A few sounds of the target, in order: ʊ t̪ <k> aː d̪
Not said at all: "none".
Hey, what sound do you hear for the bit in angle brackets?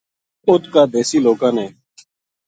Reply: k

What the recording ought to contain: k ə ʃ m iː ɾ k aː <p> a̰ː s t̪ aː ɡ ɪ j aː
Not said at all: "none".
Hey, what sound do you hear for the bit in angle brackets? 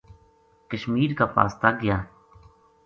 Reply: p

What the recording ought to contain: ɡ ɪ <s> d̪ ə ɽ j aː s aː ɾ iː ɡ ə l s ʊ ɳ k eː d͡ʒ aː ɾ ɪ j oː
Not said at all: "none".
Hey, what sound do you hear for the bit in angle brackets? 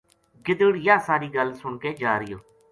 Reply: none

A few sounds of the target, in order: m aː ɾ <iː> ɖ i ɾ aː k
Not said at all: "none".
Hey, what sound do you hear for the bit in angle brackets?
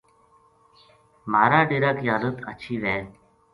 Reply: aː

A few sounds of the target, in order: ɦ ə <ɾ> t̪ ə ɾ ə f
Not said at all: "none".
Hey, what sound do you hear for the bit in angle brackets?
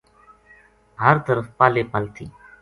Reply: ɾ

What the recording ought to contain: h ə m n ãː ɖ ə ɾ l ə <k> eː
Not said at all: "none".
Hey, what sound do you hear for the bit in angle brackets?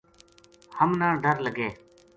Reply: ɡ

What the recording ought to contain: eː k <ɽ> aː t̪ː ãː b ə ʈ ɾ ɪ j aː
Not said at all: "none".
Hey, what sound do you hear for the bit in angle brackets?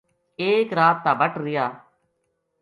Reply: ɾ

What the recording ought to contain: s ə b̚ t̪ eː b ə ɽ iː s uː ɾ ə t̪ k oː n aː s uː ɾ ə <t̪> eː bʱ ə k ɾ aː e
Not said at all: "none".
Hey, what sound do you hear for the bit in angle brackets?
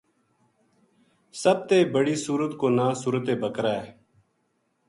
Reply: t̪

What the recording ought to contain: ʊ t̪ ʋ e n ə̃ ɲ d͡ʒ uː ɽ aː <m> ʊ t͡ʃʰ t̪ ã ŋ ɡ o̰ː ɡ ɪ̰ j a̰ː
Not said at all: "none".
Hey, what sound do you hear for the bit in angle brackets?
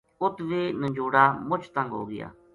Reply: m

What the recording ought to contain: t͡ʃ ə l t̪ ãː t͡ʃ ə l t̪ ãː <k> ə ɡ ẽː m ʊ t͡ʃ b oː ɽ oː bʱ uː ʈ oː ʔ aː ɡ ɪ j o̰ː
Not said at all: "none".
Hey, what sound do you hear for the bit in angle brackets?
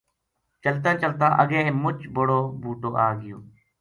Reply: ʔ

